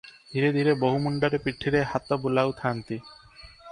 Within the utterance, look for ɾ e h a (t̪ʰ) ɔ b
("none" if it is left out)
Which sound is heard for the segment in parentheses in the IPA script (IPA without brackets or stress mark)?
t̪